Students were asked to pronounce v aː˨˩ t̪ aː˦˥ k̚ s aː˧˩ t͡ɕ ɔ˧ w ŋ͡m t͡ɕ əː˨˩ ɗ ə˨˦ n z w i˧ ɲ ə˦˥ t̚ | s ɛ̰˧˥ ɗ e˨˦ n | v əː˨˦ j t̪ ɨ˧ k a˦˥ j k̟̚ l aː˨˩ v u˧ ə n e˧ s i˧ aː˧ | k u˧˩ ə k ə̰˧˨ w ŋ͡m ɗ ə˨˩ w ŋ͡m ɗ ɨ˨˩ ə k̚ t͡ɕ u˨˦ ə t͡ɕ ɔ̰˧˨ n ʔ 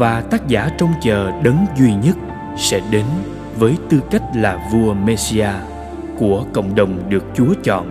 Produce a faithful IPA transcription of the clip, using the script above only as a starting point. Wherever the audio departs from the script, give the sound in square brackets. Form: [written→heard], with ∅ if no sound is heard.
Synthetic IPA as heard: v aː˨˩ t̪ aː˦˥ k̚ [s→z] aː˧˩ t͡ɕ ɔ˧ w ŋ͡m t͡ɕ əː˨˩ ɗ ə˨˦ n z w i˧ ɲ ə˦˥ t̚ | s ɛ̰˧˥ ɗ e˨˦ n | v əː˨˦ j t̪ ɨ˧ k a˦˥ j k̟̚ l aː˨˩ v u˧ ə [n→m] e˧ s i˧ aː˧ | k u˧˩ ə k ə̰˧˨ w ŋ͡m ɗ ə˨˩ w ŋ͡m ɗ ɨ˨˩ ə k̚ t͡ɕ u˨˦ ə t͡ɕ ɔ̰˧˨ n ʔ